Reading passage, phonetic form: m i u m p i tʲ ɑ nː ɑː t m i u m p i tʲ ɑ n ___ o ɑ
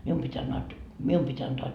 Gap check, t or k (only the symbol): t